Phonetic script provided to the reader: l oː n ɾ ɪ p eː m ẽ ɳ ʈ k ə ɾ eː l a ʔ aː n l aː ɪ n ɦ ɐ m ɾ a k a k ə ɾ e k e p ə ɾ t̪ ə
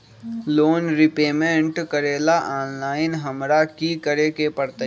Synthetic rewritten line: l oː n ɾ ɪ p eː m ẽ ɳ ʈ k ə ɾ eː l a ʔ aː n l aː ɪ n ɦ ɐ m ɾ a k i k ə ɾ e k e p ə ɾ t̪ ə